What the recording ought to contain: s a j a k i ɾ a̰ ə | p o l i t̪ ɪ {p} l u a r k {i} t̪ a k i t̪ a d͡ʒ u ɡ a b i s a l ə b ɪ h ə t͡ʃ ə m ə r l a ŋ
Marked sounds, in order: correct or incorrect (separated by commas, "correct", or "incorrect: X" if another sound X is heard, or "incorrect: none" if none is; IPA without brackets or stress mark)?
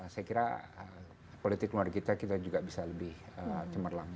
incorrect: k, correct